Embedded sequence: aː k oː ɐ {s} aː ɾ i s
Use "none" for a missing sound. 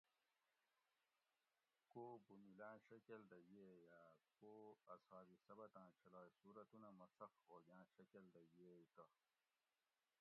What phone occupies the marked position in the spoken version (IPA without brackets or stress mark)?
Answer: s